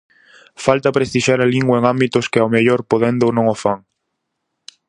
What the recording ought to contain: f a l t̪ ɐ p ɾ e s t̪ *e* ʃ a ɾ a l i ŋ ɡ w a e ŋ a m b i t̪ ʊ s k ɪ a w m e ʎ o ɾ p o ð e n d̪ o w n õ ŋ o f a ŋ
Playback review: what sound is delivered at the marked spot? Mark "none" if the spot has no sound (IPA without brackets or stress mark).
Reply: i